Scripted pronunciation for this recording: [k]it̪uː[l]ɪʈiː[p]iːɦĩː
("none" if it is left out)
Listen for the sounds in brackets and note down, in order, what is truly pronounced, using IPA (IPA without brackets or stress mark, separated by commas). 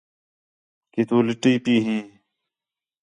k, l, p